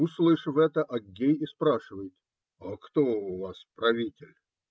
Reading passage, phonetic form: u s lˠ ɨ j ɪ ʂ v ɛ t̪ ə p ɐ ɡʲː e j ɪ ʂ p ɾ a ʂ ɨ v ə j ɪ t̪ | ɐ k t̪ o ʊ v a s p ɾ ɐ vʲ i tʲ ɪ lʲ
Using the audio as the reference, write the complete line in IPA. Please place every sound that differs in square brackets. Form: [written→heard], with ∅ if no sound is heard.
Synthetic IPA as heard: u s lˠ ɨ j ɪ ʂ v ɛ t̪ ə [p→ʔ] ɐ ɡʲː e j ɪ [ʂ→s] p ɾ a ʂ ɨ v ə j ɪ t̪ | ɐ k t̪ o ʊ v a s p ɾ ɐ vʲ i tʲ ɪ lʲ